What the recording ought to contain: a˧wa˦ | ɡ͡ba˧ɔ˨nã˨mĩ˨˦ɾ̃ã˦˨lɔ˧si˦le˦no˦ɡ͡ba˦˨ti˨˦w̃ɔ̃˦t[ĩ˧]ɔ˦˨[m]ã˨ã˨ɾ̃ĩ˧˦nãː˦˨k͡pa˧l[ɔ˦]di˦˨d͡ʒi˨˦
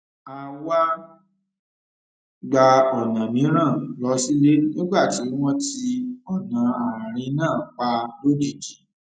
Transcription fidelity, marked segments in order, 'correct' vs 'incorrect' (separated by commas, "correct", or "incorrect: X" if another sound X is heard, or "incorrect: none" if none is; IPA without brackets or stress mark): incorrect: i˧, incorrect: n, incorrect: o˦